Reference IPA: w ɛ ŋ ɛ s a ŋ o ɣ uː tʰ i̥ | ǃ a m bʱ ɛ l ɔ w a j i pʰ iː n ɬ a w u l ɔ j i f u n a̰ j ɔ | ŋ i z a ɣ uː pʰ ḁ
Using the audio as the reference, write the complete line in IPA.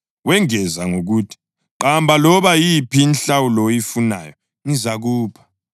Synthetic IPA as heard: w ɛ ŋ ɛ z a ŋ o ɣ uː tʰ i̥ | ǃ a m bʱ a l ɔ β a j i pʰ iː n ɬ a w u l ɔ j i f u n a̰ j ɔ | ŋ i z a ɣ uː pʰ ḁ